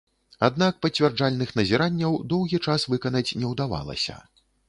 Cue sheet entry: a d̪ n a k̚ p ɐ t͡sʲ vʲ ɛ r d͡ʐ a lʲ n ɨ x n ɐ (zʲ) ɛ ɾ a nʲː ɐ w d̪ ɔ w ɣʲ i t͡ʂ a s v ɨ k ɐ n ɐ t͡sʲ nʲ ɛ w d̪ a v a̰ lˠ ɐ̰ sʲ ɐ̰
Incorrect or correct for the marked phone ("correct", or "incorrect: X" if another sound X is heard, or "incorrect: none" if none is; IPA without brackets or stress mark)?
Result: correct